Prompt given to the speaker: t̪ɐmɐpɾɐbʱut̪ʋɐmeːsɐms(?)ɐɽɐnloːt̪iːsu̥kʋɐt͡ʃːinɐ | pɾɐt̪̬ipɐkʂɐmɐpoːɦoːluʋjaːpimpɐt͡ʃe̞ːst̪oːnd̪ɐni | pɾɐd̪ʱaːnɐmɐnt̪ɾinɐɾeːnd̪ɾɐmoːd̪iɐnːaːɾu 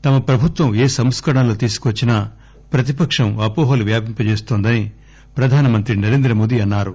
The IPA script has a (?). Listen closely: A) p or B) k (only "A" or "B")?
B